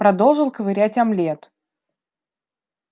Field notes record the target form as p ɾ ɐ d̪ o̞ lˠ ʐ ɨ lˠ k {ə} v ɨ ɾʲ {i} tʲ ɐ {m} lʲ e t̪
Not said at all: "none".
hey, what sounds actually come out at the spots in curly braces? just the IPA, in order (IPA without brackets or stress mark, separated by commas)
ə, æ, m